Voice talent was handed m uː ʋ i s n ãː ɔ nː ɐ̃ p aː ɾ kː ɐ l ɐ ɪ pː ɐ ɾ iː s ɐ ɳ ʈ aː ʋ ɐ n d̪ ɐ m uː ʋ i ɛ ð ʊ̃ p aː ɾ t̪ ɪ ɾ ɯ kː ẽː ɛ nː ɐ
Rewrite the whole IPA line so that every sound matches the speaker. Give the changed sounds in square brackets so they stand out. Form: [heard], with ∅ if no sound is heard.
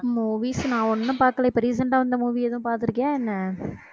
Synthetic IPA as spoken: m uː ʋ i s n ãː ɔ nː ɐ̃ p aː ɾ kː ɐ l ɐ ɪ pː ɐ ɾ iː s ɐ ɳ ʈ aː ʋ ɐ n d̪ ɐ m uː ʋ i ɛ ð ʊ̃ p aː ɾ t̪ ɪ ɾ ɯ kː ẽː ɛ nː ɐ